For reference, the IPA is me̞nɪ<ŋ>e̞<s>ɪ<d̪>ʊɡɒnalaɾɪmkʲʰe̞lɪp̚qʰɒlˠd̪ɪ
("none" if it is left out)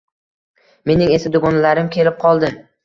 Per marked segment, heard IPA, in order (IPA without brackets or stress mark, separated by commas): ŋ, s, d̪